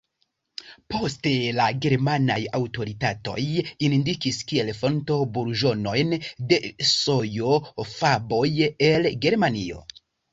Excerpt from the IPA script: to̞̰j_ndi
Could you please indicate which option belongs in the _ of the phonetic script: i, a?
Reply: i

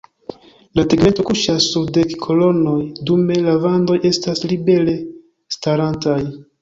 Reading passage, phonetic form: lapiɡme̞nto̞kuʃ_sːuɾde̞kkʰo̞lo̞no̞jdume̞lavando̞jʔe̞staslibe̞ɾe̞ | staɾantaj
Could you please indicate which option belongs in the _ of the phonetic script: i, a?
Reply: a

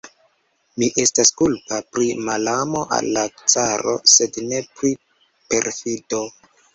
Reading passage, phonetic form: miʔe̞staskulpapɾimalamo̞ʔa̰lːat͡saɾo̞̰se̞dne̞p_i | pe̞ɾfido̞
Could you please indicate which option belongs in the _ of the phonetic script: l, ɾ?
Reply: ɾ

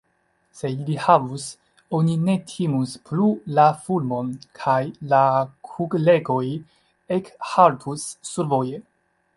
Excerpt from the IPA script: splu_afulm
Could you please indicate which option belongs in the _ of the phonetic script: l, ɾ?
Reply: l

